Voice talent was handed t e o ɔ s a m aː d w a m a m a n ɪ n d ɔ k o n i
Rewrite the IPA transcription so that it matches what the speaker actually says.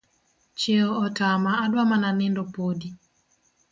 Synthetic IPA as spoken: t͡ʃ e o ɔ t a m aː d w a m a n a n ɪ n d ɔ p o d i